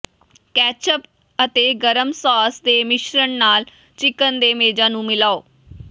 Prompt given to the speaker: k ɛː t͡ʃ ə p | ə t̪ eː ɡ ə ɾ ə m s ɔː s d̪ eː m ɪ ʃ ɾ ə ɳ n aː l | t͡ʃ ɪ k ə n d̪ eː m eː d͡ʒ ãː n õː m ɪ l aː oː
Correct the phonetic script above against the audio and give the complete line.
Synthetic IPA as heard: k ɛː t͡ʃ ə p | ə t̪ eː ɡ ə ɾ ə m s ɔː s d̪ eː m ɪ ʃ ɾ ə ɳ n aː l | t͡ʃ ɪ k ə n d̪ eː m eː d͡ʒ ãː n ũː m ɪ l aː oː